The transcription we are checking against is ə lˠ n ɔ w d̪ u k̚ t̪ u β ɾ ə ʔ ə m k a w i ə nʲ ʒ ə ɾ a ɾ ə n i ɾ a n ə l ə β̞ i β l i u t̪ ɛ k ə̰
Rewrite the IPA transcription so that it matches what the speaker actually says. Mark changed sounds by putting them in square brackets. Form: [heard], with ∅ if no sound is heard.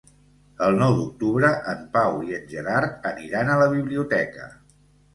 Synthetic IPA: ə lˠ n ɔ w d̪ u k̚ t̪ u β ɾ ə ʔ ə m [p] a w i ə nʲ ʒ ə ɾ a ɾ ə n i ɾ a n ə l ə β̞ i β l i u t̪ ɛ k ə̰